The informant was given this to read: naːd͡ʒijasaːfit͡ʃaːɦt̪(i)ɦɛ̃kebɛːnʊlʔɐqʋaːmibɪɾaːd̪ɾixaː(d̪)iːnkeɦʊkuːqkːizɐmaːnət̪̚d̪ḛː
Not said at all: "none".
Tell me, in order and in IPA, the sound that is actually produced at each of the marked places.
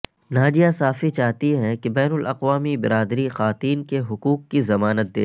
i, t̪

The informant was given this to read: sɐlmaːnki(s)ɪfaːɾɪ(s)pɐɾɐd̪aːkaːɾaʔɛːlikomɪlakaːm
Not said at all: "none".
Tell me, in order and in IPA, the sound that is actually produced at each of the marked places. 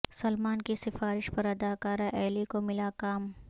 s, ʃ

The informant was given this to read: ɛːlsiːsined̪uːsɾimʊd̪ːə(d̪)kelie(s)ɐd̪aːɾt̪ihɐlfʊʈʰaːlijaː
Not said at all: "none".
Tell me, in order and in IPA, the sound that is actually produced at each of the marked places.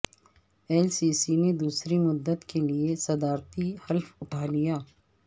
t̪, s

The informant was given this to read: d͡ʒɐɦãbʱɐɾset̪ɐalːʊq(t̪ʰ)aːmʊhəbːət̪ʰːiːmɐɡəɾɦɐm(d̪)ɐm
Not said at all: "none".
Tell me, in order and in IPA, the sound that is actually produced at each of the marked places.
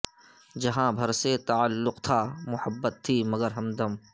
t̪ʰ, d̪

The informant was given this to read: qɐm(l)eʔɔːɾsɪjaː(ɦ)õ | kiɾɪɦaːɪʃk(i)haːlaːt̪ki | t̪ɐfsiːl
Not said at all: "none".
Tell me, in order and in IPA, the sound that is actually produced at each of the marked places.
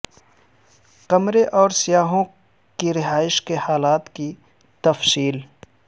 ɾ, ɦ, e

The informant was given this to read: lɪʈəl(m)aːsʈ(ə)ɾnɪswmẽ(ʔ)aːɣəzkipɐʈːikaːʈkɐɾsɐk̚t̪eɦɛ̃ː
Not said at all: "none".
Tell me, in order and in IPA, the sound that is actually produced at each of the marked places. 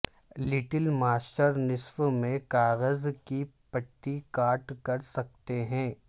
m, ə, k

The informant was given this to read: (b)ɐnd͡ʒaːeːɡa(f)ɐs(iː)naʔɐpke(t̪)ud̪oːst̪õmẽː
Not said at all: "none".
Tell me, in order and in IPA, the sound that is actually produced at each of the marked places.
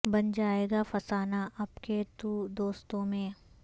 b, f, aː, t̪

